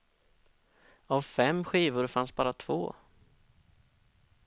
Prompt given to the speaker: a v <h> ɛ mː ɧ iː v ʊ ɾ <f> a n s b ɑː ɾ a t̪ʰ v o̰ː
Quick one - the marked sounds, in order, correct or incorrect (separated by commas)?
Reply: incorrect, correct